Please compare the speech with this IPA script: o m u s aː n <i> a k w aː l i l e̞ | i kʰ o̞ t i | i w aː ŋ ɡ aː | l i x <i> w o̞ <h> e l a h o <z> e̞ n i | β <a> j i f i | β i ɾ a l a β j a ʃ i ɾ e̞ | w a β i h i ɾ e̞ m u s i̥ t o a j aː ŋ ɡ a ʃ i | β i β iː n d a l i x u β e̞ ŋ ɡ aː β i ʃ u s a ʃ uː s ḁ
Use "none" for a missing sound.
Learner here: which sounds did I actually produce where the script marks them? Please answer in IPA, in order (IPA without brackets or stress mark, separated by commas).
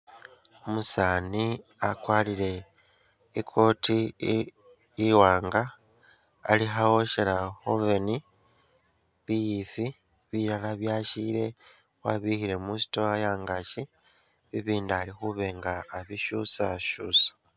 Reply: i, a, ʃ, v, i